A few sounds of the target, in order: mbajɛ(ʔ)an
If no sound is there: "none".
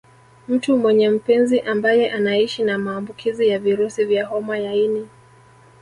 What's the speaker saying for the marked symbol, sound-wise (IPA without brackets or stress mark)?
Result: ʔ